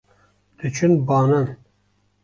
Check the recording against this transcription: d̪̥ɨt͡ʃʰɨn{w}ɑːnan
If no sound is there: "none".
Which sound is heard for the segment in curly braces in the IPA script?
b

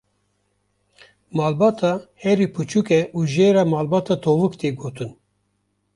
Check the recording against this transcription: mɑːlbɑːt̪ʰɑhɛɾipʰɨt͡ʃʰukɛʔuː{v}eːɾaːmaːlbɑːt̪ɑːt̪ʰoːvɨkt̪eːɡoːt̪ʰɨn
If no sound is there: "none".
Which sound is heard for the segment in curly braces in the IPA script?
ʒ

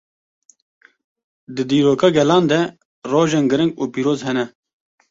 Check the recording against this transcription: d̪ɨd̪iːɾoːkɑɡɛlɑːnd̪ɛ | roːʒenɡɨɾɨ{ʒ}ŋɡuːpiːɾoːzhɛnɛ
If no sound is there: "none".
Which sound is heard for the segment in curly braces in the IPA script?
none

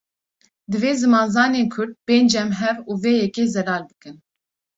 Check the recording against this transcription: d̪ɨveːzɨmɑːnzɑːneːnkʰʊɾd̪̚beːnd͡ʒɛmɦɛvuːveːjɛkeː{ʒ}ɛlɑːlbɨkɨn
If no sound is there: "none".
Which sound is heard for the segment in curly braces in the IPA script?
z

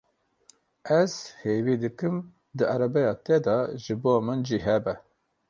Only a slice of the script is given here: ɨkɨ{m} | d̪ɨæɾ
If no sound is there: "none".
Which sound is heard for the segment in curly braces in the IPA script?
m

